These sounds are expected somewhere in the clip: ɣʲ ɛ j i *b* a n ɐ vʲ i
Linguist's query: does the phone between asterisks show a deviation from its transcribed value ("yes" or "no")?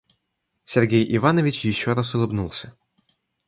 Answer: yes